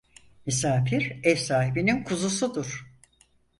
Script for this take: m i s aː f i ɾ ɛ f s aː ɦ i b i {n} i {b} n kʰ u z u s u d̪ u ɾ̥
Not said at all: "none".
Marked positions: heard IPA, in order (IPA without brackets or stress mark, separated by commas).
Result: n, none